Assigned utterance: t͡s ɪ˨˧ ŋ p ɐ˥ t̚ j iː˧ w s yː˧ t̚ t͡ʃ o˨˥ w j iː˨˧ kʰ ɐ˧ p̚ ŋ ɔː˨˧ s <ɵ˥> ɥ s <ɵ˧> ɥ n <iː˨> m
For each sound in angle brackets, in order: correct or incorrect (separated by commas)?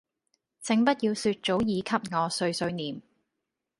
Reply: incorrect, correct, correct